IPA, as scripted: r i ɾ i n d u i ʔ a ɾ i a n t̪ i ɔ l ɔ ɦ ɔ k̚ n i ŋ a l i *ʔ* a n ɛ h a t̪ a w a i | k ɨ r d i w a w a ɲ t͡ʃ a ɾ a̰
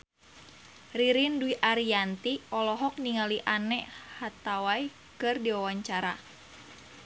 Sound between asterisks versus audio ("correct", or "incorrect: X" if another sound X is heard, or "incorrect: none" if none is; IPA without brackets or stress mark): correct